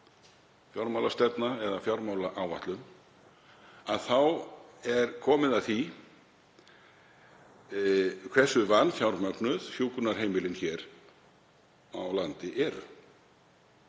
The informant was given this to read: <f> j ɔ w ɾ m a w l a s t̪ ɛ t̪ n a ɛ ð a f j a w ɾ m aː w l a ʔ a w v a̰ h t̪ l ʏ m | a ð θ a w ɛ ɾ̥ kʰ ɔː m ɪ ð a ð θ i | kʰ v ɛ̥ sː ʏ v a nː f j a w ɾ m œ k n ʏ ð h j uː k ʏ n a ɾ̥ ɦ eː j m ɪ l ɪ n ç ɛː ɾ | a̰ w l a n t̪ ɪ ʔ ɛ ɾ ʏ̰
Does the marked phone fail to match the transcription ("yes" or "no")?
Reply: no